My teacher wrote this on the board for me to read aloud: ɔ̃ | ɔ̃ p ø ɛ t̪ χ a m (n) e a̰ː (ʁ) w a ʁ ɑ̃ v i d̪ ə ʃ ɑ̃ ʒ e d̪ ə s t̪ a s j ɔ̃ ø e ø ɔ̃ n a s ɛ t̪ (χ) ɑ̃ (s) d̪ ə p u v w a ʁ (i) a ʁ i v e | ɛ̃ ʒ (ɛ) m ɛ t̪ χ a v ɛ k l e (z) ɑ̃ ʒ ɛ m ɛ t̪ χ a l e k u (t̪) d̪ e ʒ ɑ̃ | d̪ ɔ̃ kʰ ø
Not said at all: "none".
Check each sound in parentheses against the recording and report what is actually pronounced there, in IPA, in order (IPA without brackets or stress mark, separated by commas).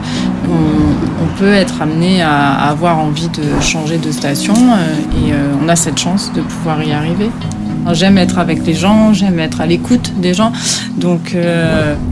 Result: n, v, ʃ, s, i, ɛ, ʒ, t̪